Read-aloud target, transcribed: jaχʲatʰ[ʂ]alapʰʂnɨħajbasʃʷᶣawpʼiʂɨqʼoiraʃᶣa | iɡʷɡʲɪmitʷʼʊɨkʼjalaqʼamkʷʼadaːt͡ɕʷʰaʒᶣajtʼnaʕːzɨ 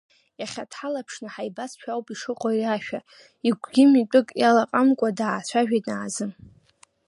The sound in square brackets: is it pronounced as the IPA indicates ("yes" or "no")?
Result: no